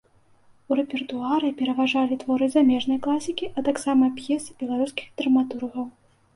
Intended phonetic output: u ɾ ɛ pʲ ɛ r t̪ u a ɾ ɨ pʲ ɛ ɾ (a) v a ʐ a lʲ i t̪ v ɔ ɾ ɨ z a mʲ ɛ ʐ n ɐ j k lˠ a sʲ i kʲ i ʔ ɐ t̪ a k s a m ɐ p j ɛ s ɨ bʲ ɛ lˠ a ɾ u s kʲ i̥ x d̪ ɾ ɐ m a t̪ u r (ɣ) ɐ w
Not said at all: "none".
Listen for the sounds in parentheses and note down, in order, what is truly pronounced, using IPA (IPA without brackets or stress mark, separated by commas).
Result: ɐ, ɣ